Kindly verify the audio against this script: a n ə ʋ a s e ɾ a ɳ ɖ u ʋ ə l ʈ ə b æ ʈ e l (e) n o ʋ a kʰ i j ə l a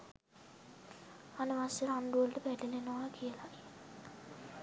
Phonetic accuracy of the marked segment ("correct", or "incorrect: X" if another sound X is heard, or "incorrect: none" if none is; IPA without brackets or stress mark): correct